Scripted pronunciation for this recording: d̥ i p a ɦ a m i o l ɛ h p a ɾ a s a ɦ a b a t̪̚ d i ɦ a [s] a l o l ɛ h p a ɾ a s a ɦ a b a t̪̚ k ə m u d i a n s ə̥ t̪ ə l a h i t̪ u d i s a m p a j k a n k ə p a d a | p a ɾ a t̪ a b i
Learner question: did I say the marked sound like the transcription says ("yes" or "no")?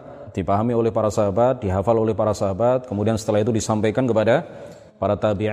no